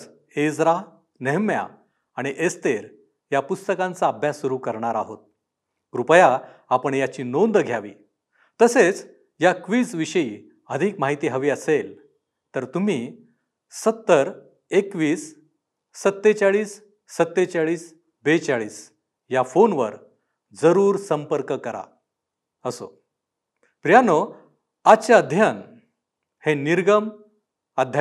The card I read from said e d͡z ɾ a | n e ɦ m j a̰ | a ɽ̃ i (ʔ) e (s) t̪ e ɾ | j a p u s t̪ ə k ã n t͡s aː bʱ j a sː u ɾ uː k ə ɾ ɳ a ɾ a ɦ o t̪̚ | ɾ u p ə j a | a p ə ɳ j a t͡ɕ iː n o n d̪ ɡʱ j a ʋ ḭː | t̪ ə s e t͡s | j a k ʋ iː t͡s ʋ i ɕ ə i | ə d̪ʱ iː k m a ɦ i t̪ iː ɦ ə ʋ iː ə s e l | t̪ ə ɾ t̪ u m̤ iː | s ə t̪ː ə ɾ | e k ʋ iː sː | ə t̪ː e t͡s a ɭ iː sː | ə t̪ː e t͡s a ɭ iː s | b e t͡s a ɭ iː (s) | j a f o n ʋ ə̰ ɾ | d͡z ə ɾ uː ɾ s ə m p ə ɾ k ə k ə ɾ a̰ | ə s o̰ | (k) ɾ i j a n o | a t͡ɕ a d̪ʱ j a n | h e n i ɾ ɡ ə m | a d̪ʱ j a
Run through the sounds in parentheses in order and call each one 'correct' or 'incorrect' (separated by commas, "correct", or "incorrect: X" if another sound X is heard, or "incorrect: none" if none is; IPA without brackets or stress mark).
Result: correct, correct, correct, incorrect: p